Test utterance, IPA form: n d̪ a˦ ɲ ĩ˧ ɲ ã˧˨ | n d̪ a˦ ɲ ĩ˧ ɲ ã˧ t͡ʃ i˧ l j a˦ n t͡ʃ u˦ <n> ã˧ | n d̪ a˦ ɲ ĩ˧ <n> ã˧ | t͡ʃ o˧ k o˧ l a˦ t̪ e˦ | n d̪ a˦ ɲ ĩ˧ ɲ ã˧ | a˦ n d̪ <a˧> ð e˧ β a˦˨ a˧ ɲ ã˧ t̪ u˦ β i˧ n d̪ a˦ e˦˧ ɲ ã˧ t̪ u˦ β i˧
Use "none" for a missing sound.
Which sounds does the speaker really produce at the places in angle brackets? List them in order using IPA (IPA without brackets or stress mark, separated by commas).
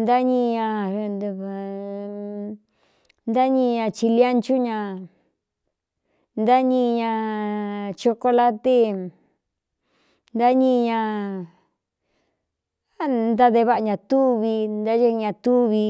ɲ, ɲ, a˧